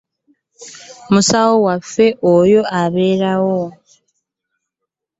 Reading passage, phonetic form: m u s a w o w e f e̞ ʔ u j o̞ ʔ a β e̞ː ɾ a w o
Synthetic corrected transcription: m u s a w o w a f e̞ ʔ o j o̞ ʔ a β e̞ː ɾ a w o